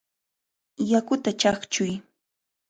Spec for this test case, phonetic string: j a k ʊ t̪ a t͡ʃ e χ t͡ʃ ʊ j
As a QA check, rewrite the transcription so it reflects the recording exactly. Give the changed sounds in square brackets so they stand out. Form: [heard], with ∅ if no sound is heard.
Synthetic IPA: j a k ʊ t̪ a t͡ʃ [a] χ t͡ʃ ʊ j